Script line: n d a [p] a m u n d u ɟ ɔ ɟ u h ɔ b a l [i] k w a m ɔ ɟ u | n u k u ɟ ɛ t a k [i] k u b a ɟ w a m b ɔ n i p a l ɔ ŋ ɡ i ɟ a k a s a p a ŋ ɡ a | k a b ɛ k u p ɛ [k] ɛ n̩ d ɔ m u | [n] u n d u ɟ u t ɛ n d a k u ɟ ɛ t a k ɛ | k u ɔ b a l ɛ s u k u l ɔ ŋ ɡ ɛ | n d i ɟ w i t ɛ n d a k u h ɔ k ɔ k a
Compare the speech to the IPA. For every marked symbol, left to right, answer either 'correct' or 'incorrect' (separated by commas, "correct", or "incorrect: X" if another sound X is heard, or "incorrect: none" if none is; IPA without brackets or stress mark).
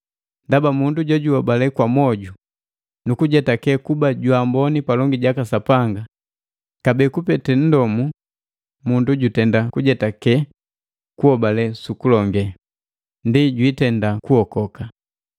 incorrect: b, incorrect: ɛ, incorrect: ɛ, incorrect: t, incorrect: m